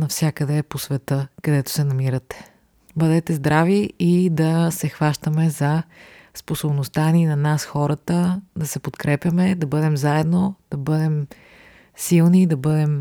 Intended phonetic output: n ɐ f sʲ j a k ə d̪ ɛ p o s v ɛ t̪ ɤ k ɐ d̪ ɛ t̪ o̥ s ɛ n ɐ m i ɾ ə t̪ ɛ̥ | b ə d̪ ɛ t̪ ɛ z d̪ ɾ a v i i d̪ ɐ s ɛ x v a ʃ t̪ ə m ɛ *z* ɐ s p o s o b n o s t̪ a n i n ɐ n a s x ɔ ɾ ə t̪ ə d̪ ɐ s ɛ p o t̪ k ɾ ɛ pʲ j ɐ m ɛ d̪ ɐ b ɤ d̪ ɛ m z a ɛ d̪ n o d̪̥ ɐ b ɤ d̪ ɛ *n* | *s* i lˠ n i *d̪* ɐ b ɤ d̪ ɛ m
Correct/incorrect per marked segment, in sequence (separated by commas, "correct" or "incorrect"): correct, incorrect, correct, correct